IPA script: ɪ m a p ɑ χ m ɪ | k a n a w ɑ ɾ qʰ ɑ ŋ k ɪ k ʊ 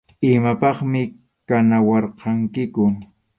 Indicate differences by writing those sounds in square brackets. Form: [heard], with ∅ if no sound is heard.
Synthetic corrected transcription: ɪ m a p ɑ χ m ɪ | k a n a w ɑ ɾ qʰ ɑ ŋ k ɪ k ʊ